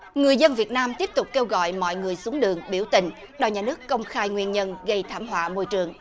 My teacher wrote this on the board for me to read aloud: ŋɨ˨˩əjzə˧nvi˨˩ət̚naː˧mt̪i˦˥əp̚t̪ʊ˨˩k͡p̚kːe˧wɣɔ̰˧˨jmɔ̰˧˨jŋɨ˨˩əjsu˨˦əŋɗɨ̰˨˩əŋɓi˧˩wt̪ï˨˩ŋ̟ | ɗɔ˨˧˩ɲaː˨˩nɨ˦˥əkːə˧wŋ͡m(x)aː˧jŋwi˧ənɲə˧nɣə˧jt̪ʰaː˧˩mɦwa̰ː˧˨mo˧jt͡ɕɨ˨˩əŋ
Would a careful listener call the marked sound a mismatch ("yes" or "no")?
no